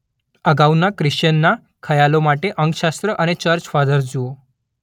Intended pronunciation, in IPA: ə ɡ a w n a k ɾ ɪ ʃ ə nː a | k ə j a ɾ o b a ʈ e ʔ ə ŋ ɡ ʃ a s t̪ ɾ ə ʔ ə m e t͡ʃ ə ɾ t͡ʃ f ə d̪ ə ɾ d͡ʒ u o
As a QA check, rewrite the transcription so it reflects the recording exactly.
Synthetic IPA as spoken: ə ɡ a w n a k ɾ ɪ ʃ ə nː a | kʰ ə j a l o m a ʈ e ʔ ə ŋ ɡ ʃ a s t̪ ɾ ə ʔ ə n e t͡ʃ ə ɾ t͡ʃ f a d̪ ə ɾ d͡ʒ u o

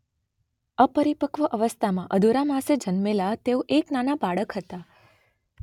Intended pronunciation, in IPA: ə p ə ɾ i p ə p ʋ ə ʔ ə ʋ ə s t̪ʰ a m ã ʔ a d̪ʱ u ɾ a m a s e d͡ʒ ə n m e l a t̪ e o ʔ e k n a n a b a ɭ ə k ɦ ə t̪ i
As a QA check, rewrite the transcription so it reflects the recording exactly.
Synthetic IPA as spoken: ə p ə ɾ i p ə k ʋ ə ʔ ə ʋ ə s t̪ʰ a m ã ʔ ə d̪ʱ u ɾ a m a s e d͡ʒ ə n m e l a t̪ e o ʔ e k n a n a b a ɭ ə k ɦ ə t̪ a

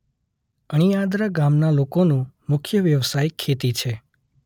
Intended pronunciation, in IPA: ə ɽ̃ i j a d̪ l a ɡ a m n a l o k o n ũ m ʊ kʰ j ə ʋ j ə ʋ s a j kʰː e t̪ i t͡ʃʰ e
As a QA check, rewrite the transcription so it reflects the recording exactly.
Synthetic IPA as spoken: ə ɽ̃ i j a d̪ ɾ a ɡ a m n a l o k o n ũ m ʊ kʰ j ə ʋ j ə ʋ s a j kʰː e t̪ i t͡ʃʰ e

